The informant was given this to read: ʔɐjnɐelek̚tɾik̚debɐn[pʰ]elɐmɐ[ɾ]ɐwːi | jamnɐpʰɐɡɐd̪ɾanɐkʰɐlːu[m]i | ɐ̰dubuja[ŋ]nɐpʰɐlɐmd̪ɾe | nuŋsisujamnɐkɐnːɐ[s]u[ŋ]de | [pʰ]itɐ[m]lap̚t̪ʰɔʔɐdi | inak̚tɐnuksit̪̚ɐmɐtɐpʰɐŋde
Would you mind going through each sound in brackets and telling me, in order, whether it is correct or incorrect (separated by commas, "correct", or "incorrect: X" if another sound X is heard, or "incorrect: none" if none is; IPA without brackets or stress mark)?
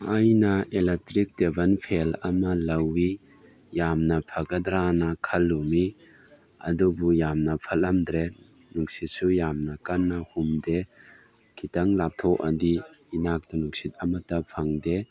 correct, incorrect: l, correct, incorrect: m, incorrect: h, incorrect: m, incorrect: kʰ, incorrect: ŋ